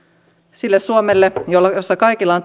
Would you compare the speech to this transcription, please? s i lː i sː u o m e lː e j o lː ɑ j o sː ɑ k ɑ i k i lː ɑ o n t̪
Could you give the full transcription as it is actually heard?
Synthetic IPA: s i lː e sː u o m e lː e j o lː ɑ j o sː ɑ k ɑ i k i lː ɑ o n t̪